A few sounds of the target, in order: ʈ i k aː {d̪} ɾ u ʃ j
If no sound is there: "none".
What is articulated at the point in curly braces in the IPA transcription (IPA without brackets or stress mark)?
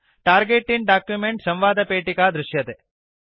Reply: d̪